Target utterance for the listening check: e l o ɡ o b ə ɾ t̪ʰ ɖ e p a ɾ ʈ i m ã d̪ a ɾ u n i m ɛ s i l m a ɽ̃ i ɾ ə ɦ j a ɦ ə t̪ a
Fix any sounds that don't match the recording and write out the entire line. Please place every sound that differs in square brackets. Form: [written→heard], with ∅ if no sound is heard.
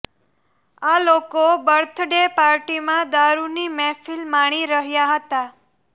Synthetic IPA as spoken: [e→a] l o [ɡ→k] o b ə ɾ t̪ʰ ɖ e p a ɾ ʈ i m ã d̪ a ɾ u n i m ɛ [s→f] i l m a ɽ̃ i ɾ ə ɦ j a ɦ ə t̪ a